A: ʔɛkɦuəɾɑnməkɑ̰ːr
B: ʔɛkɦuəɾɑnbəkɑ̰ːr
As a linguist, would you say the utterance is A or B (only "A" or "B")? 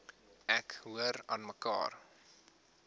A